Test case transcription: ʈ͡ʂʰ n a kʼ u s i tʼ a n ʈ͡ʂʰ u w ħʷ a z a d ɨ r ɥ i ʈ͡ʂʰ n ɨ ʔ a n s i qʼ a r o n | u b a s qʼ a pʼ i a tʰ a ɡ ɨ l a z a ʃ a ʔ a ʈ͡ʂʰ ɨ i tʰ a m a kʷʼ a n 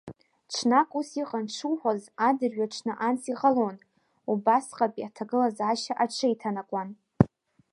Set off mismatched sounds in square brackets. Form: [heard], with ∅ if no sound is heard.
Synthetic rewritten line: ʈ͡ʂʰ n a kʼ u s i [qʼ] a n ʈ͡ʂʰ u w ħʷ a z a d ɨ r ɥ [a] ʈ͡ʂʰ n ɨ ʔ a n s i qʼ a [l] o n | u b a s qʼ a pʼ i a tʰ a ɡ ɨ l a z a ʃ a ʔ a ʈ͡ʂʰ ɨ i tʰ a [n] a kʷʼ a n